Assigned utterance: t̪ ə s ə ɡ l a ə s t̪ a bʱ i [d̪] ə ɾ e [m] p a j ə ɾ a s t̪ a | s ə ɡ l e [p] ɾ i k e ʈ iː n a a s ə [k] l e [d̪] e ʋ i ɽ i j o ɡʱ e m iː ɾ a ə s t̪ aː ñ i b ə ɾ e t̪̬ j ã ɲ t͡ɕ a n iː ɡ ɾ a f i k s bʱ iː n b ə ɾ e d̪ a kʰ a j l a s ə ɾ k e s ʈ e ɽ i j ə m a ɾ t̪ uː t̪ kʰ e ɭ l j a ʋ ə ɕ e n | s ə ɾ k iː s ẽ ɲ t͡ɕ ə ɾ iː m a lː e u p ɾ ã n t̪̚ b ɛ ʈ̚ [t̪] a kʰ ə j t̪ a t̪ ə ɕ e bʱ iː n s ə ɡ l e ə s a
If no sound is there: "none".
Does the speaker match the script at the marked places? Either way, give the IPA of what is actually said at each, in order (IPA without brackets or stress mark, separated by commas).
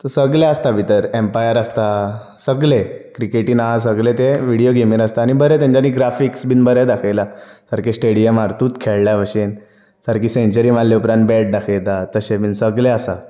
t̪, m, k, ɡ, t̪, d̪